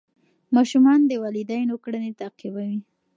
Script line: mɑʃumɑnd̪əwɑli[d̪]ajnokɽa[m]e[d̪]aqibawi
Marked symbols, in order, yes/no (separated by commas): yes, no, no